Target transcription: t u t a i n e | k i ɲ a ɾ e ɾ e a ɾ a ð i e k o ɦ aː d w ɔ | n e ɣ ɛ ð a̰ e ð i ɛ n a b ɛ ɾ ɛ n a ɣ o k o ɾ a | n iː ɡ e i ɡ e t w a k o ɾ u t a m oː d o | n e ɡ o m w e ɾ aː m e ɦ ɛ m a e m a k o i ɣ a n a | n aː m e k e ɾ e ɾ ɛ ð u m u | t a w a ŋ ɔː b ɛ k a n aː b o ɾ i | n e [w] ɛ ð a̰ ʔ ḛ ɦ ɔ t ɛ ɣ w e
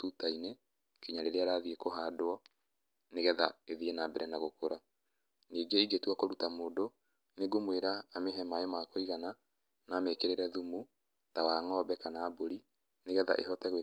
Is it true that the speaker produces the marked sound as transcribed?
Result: no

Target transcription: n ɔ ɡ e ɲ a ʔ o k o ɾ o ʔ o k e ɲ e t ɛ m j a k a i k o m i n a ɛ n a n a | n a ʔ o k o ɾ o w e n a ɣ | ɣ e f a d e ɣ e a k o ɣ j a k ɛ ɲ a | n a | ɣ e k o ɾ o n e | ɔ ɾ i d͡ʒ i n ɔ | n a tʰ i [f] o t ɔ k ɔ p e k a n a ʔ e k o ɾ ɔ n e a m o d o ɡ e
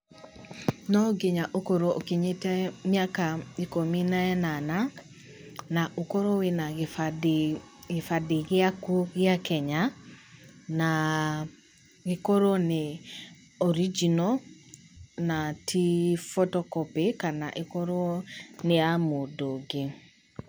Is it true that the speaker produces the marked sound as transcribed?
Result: yes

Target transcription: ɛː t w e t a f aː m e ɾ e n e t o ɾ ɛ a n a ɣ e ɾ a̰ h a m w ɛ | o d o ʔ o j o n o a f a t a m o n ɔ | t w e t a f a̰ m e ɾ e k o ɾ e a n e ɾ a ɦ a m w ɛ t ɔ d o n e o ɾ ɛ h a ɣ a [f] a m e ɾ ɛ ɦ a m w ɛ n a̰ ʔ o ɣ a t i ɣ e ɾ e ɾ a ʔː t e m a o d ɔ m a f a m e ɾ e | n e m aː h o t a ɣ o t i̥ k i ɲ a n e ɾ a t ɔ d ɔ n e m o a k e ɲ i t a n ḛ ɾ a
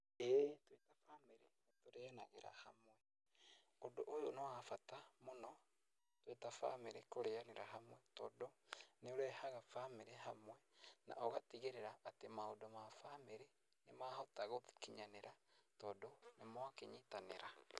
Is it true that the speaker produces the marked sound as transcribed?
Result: yes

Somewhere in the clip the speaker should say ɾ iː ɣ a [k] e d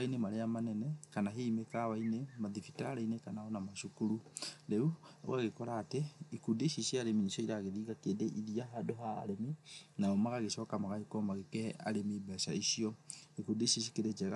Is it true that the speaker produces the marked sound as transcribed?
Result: yes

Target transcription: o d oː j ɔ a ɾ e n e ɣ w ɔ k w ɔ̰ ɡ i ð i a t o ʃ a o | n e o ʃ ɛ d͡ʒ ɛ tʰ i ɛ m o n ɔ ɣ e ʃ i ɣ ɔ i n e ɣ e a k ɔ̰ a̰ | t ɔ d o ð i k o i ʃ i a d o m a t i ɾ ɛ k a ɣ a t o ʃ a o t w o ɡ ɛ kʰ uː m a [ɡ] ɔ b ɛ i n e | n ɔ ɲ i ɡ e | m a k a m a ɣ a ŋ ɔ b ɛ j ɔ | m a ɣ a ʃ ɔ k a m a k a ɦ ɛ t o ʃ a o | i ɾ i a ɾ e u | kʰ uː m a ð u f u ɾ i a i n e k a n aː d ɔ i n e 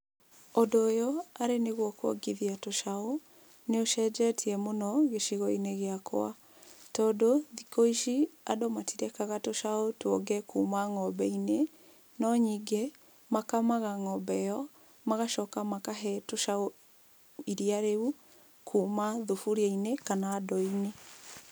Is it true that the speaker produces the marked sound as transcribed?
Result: no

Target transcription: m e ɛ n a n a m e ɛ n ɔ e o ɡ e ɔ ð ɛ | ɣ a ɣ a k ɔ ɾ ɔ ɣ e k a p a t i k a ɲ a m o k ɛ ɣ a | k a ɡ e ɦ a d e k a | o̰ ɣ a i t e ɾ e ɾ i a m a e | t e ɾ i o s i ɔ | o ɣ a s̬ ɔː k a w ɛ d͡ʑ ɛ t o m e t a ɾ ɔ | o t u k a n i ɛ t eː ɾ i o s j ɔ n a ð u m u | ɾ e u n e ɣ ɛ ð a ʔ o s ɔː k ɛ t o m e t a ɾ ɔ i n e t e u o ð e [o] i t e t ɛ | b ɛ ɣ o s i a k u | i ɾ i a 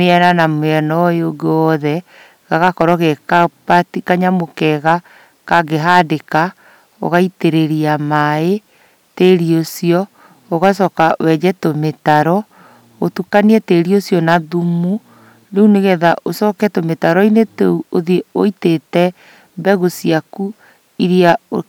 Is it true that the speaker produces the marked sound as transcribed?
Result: yes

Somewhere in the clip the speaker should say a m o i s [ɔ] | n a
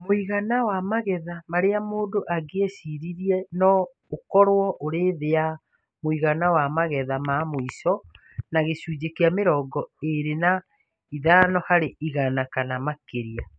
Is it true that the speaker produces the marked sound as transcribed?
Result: yes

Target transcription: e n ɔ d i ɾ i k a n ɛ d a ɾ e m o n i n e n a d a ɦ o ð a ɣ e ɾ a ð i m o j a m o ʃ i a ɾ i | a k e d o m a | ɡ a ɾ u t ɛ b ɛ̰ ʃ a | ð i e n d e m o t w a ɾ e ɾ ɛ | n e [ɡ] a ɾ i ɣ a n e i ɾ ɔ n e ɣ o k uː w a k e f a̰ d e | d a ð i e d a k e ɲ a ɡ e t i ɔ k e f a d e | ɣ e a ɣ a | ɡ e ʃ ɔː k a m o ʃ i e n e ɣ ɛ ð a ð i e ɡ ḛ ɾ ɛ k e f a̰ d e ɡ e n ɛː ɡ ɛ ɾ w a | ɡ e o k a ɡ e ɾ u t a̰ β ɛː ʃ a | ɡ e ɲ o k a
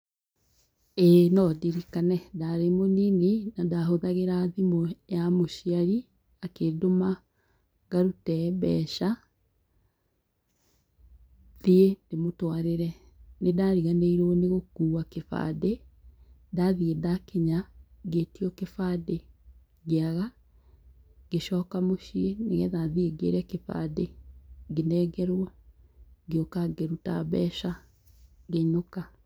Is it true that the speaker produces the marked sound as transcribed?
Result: no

